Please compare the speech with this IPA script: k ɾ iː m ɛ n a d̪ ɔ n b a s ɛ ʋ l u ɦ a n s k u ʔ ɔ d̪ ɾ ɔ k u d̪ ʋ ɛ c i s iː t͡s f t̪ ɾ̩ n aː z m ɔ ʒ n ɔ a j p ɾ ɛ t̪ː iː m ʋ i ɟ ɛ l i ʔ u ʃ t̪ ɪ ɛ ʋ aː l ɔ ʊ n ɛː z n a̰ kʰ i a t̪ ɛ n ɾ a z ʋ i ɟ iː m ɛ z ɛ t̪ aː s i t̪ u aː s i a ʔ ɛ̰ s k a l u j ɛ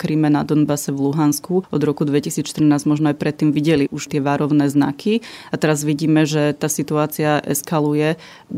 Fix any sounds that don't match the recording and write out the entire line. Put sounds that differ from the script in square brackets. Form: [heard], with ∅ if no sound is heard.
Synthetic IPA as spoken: k ɾ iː m ɛ n a d̪ ɔ n b a s ɛ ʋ l u ɦ a n s k u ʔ ɔ d̪ ɾ ɔ k u d̪ ʋ ɛ c i s iː t͡s [ʃ] t̪ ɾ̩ n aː z m ɔ ʒ n ɔ a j p ɾ ɛ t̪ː iː m ʋ i ɟ ɛ l i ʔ u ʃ t̪ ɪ ɛ ʋ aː [ɾ] ɔ ʊ n ɛː z n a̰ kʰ i a t̪ ɛ [∅] ɾ a z ʋ i ɟ iː m ɛ [ʒ] ɛ t̪ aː s i t̪ u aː [t͡s] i a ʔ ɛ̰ s k a l u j ɛ